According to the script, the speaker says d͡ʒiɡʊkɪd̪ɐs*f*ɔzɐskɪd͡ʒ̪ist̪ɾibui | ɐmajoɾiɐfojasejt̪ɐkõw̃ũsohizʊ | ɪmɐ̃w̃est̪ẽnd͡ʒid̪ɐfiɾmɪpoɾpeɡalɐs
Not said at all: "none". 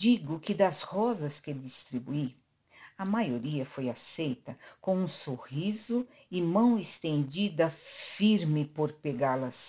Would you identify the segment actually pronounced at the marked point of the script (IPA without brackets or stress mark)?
h